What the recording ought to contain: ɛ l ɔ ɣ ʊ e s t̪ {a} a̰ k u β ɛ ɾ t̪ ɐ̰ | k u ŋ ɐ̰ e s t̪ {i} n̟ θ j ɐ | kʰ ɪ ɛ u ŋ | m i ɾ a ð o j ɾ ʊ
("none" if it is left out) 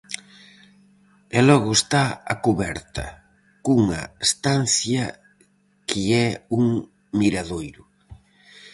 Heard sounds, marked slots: a, a

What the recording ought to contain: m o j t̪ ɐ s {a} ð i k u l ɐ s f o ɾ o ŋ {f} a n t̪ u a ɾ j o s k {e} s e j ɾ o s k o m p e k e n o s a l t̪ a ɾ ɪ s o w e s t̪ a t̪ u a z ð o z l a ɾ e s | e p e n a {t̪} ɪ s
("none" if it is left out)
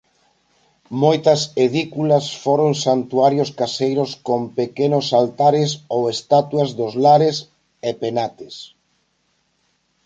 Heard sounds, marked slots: e, s, a, t̪

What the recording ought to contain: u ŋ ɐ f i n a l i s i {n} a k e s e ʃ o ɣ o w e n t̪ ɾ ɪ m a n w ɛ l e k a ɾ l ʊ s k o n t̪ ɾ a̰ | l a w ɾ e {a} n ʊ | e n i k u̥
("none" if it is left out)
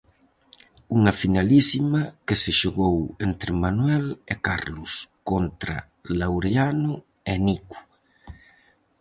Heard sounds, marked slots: m, a

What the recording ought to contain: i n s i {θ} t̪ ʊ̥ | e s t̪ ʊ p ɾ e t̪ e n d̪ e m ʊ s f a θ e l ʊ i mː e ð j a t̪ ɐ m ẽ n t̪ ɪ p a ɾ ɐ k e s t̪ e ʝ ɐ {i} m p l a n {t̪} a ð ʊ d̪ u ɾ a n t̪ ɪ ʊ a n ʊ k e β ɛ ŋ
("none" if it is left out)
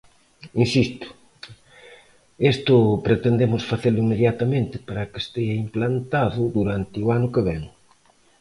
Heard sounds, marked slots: s, i, t̪

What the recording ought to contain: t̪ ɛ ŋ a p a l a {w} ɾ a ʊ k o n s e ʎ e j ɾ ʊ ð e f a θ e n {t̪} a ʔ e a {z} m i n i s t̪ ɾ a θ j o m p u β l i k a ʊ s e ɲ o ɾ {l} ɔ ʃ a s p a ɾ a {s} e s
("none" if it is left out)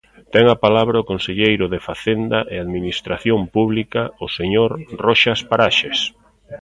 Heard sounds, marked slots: β, d̪, ð, r, ʃ

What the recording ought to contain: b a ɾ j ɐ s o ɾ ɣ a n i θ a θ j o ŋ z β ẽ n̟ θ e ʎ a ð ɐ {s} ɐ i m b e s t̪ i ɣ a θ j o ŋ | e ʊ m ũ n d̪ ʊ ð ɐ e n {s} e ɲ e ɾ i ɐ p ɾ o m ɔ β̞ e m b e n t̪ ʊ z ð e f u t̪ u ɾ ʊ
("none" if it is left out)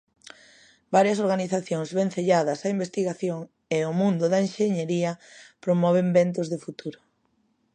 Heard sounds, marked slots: s, ʃ

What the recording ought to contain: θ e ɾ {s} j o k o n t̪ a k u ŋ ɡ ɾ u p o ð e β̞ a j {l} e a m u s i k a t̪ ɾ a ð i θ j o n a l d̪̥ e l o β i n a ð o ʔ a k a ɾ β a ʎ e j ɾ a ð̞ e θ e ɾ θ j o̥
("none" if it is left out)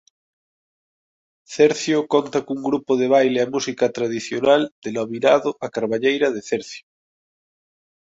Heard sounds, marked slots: θ, l

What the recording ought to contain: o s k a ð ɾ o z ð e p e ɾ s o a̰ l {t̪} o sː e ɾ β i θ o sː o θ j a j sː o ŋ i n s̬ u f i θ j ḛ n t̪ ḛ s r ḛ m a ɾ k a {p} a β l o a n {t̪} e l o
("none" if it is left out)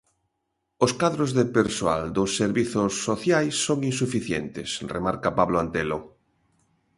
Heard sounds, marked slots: d̪, p, t̪

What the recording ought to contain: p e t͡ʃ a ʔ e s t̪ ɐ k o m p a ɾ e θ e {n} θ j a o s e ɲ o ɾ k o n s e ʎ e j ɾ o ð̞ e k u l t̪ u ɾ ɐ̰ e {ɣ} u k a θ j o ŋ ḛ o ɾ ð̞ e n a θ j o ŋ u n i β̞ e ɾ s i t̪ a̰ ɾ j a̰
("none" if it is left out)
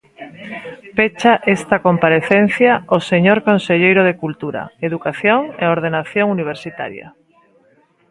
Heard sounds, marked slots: n, ð

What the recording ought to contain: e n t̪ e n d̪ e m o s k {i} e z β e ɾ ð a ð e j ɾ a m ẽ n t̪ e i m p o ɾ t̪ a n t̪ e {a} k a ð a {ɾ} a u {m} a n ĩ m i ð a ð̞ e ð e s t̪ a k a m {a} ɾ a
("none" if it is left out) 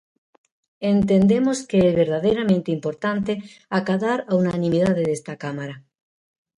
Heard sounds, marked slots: e, a, ɾ, n, a

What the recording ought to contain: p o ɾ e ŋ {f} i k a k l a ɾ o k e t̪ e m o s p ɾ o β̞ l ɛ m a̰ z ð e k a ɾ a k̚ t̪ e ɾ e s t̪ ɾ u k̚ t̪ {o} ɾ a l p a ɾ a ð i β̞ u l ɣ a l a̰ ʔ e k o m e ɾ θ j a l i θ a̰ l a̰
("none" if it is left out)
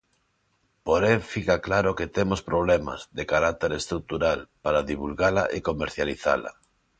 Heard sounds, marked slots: f, u

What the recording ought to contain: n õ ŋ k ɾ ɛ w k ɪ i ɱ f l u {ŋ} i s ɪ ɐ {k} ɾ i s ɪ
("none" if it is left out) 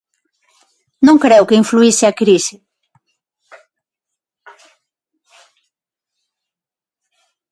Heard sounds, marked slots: none, k

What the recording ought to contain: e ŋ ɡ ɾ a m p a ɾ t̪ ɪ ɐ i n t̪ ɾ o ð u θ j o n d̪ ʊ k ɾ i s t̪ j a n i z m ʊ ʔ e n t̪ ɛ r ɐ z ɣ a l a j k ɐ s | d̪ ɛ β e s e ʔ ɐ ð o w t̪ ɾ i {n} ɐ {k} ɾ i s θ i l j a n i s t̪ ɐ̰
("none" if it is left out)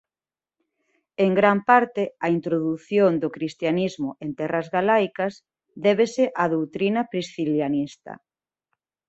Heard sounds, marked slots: n, p

